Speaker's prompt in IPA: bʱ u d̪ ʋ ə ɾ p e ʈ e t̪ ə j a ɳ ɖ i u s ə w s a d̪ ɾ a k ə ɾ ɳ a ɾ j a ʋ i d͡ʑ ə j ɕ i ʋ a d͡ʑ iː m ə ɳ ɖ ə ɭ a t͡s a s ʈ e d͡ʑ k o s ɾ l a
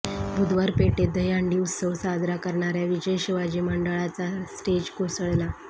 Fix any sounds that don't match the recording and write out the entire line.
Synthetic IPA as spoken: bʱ u d̪ ʋ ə ɾ p e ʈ e d̪ ə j a ɳ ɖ i u s ə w s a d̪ ɾ a k ə ɾ ɳ a ɾ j a ʋ i d͡ʑ ə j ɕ i ʋ a d͡ʑ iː m ə ɳ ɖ ə ɭ a t͡s a s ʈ e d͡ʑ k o s ɭ l a